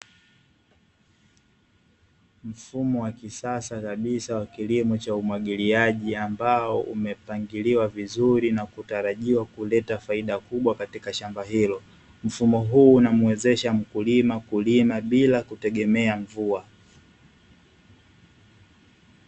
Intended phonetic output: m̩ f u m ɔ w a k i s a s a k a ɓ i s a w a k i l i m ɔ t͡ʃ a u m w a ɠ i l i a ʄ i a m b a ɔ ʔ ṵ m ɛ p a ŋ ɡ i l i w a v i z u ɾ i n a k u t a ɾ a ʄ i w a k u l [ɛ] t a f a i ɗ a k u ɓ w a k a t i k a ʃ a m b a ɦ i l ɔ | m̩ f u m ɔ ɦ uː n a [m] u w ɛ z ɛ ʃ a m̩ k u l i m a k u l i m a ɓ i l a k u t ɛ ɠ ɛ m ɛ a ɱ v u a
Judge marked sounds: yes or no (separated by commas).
yes, yes